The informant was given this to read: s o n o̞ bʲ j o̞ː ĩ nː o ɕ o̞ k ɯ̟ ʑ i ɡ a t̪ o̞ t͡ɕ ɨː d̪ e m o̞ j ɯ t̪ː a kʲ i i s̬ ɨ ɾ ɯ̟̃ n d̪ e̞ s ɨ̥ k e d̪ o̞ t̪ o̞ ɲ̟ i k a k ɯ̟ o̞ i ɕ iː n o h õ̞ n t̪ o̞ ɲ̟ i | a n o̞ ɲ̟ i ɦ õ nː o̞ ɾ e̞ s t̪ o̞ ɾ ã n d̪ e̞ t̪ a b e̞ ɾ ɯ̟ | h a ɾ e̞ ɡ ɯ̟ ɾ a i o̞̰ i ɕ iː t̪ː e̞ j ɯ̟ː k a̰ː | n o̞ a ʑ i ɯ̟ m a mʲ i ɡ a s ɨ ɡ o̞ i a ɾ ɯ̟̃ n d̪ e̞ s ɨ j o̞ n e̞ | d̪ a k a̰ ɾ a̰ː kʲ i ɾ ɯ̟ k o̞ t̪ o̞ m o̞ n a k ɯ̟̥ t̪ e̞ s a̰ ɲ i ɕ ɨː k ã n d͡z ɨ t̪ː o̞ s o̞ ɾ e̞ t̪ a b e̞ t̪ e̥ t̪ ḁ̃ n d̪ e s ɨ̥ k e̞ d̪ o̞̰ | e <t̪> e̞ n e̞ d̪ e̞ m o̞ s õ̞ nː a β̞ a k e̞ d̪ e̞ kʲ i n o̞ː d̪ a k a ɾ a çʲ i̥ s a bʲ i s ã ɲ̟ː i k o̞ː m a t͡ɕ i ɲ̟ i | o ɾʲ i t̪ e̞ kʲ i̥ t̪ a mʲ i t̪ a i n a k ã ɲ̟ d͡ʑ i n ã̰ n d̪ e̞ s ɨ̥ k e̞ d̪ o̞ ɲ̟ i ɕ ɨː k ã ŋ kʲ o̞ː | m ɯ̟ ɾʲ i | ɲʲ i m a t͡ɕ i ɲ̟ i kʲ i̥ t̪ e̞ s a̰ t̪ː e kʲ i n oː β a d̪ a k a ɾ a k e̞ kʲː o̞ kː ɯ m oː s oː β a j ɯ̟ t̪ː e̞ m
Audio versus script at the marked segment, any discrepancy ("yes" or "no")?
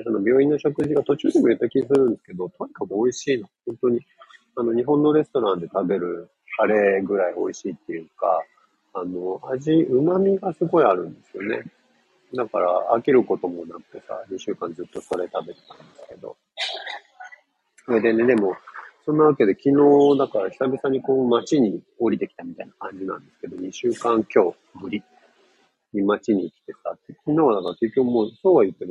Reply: yes